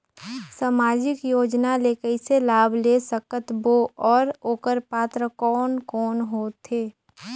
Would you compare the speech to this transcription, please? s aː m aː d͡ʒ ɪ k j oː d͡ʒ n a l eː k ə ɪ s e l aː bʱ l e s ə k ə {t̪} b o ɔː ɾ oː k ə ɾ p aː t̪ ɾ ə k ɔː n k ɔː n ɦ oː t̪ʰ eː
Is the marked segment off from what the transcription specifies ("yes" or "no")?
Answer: no